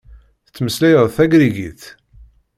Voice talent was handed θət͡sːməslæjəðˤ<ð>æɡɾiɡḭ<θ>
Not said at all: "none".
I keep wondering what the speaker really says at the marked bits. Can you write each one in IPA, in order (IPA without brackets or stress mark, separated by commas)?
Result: θ, θ